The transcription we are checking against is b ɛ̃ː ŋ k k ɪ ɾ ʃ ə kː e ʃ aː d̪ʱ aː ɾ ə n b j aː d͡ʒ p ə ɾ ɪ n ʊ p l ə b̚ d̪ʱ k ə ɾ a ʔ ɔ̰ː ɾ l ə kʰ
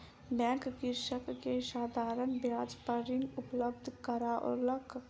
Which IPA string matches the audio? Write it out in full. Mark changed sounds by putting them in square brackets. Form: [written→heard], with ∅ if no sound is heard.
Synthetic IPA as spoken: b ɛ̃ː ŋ k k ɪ ɾ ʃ ə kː e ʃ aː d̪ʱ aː ɾ ə n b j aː d͡ʒ p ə ɾ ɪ n ʊ p l ə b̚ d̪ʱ k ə ɾ a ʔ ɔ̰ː ɾ l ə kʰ